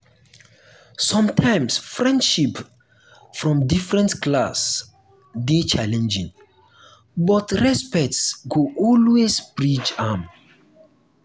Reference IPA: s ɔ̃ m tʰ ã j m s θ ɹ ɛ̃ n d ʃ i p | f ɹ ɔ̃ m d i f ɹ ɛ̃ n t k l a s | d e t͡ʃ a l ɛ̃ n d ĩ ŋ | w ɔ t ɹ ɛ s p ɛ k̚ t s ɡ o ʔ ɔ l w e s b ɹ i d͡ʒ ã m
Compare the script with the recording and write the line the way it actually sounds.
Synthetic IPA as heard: s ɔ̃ m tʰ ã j m s f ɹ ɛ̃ n d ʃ i p | f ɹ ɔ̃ m d i f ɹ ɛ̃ n t k l a s | d e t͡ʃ a l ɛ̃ n d͡ʒ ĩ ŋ | b ɔ t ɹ ɛ s p ɛ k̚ t s ɡ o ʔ ɔ l w e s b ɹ i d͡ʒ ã m